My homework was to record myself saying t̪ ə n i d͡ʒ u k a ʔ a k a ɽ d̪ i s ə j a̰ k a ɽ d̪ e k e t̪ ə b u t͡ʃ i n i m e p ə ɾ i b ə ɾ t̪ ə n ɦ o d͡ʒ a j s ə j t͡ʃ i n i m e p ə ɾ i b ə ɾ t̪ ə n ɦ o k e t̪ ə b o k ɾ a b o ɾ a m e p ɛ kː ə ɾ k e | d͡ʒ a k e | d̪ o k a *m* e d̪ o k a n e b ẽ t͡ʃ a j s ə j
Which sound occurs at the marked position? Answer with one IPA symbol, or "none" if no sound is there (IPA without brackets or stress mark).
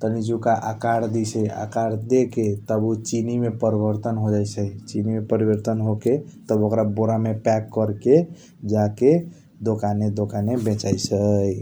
n